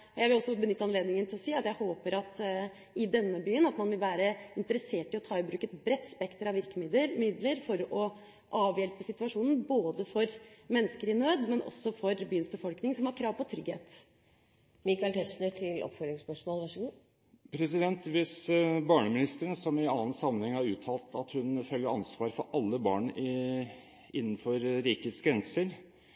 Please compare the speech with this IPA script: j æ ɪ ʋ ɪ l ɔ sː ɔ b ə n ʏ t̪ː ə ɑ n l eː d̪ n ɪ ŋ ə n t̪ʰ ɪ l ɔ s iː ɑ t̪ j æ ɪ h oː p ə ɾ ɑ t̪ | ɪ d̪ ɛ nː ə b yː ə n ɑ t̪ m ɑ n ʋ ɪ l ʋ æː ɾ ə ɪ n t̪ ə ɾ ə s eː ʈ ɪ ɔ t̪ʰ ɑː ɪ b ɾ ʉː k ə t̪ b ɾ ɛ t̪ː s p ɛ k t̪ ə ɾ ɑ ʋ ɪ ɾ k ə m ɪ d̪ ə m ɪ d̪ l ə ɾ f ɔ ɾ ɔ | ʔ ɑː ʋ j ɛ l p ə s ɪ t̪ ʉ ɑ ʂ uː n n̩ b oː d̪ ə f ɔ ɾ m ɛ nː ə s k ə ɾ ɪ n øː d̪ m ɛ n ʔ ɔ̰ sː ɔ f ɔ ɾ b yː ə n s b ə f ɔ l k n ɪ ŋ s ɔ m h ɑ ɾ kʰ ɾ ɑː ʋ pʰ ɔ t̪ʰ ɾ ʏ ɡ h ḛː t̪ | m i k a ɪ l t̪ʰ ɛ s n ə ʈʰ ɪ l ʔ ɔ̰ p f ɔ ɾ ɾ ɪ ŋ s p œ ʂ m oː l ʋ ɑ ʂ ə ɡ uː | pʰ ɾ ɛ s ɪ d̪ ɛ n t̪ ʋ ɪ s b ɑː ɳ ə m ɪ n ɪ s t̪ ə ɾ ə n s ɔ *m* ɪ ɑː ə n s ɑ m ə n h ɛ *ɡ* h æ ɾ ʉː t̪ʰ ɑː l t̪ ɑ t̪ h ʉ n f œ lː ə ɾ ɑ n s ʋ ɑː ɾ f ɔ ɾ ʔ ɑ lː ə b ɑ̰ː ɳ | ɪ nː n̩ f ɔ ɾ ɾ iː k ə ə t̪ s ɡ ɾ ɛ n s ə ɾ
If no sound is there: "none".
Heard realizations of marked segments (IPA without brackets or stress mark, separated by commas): m, ŋ